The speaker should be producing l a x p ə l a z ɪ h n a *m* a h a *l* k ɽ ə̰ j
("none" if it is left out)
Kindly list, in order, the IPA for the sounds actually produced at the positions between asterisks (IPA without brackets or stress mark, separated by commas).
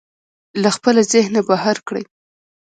b, ɾ